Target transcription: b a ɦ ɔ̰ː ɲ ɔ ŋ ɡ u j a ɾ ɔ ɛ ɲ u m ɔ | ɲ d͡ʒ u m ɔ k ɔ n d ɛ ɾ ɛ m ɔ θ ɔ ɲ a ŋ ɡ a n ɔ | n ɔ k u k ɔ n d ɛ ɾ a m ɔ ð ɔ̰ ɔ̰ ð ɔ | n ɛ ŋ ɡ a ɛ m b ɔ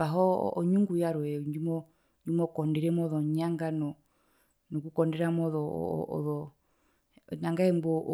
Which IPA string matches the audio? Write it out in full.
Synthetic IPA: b a ɦ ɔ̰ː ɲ u ŋ ɡ u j a ɾ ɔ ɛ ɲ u m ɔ | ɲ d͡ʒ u m ɔ k ɔ n d ɛ ɾ ɛ m ɔ ð ɔ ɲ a ŋ ɡ a n ɔ | n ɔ k u k ɔ n d ɛ ɾ a m ɔ ð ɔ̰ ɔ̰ ð ɔ | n a ŋ ɡ a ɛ m b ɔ